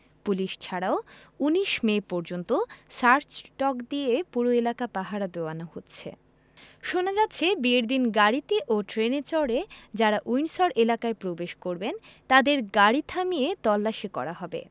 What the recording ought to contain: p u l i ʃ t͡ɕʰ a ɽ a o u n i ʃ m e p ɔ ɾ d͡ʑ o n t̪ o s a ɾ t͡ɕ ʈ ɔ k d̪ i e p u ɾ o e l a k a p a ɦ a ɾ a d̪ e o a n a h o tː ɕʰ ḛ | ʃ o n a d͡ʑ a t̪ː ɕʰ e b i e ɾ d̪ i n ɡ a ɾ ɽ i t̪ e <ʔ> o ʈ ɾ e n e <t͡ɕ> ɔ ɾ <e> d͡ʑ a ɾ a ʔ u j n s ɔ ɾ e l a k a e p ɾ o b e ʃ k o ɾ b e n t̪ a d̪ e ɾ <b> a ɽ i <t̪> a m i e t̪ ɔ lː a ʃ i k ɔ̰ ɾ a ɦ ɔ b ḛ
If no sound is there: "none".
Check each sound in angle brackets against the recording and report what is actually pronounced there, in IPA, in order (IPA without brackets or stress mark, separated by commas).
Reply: ʔ, t͡ɕ, e, ɡ, t̪ʰ